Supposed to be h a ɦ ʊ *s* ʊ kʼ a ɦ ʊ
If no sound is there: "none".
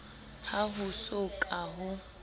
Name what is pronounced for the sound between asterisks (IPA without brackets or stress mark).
s